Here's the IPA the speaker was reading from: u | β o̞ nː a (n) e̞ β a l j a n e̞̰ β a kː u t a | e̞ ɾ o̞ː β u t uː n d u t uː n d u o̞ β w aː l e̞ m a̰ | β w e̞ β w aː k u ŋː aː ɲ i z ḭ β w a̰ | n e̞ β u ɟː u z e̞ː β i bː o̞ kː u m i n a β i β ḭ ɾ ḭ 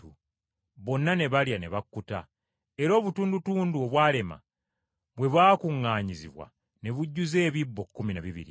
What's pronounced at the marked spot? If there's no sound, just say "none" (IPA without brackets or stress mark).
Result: n